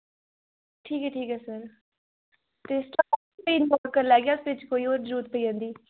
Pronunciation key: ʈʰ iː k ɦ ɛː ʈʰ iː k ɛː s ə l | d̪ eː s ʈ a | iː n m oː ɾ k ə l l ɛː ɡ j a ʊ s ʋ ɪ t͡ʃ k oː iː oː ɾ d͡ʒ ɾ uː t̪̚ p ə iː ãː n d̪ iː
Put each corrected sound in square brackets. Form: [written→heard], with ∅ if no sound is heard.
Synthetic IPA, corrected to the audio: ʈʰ iː k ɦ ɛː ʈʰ iː k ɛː s ə [l→ɾ] | [d̪→t̪] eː s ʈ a | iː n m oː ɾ k ə [l→ɾ] l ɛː ɡ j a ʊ s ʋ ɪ t͡ʃ k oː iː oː ɾ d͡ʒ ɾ uː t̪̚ p ə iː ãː n d̪ iː

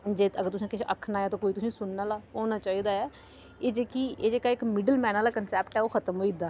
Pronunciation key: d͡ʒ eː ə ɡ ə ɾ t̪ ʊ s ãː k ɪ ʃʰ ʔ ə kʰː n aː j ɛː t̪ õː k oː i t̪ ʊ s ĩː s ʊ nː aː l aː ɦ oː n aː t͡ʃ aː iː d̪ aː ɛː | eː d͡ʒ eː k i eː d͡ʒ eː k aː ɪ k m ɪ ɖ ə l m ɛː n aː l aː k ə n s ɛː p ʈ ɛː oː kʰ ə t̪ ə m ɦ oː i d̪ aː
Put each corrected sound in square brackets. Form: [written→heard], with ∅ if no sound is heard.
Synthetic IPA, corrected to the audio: d͡ʒ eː ə ɡ ə ɾ t̪ ʊ s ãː k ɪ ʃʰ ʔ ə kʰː n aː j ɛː t̪ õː k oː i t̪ ʊ s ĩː s ʊ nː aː l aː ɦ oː n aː t͡ʃ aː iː d̪ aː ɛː | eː d͡ʒ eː k i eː d͡ʒ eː k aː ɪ k m ɪ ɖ ə l m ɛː n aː l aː k ə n s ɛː p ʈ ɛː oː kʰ ə t̪ ə m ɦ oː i d̪ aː

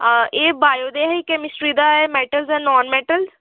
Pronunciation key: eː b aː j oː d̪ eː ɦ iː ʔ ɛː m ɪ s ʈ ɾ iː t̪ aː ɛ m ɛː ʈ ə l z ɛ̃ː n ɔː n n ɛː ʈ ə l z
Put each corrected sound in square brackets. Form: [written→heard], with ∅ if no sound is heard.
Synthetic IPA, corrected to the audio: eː b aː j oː d̪ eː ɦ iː [ʔ→k] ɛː m ɪ s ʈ ɾ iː [t̪→d̪] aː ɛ m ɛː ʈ ə l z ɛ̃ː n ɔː n [n→m] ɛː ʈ ə l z

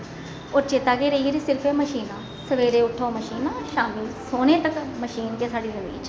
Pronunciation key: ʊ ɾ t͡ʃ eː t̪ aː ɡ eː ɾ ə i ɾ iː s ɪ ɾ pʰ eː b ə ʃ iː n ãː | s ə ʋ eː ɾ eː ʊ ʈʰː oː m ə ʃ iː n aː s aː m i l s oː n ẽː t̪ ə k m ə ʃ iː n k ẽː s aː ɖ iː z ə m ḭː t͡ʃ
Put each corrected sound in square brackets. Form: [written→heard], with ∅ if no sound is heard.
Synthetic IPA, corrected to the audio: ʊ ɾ t͡ʃ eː t̪ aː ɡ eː ɾ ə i ɾ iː s ɪ ɾ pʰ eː [b→m] ə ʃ iː n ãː | s ə ʋ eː ɾ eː ʊ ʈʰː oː m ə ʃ iː n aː [s→ʃ] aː m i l s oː n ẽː t̪ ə k m ə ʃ iː n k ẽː s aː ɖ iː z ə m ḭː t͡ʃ

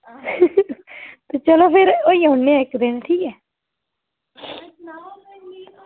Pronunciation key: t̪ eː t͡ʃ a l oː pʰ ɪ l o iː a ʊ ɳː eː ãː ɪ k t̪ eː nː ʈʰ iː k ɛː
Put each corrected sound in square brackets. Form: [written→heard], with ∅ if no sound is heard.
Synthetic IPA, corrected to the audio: t̪ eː t͡ʃ [a→ə] l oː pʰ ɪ [l→ɾ] o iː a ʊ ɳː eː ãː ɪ k [t̪→d̪] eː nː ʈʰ iː k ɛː

